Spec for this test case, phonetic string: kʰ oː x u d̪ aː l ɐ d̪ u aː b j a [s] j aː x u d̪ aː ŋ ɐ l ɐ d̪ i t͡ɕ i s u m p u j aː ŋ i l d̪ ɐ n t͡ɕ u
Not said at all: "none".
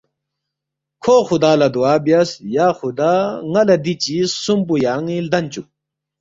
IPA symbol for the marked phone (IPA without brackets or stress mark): s